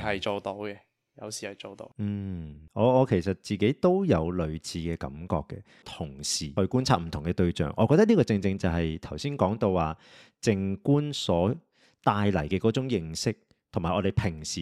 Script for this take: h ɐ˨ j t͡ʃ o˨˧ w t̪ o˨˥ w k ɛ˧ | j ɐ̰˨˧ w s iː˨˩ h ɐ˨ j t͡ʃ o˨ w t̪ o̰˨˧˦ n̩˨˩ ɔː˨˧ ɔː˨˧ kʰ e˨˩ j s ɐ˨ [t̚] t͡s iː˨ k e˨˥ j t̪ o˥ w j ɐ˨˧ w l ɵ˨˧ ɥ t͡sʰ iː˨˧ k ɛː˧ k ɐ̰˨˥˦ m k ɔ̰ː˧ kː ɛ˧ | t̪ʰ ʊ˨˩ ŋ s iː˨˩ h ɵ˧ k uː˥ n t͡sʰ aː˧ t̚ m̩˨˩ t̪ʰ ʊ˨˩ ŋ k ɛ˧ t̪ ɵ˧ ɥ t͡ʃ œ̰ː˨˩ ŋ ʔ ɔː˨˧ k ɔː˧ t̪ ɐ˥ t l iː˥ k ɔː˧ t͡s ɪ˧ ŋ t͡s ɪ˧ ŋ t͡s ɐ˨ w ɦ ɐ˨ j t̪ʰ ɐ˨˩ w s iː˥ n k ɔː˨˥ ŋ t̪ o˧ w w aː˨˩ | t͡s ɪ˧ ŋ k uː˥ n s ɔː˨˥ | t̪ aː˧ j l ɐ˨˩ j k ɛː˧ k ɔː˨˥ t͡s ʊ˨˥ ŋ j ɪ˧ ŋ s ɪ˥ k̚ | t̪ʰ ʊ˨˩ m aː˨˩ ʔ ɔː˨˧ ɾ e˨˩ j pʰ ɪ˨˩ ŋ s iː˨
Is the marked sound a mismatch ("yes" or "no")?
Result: no